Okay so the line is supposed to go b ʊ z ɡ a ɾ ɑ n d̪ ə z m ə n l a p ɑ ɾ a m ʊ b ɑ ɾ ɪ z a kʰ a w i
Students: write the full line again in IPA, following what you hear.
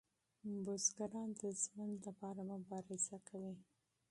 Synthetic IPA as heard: b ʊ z ɡ a ɾ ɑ n d̪ ə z m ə n l a p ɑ ɾ a m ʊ b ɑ ɾ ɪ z a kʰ a w i